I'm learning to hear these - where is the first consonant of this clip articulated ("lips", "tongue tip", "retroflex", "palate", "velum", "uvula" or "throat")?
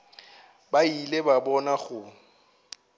lips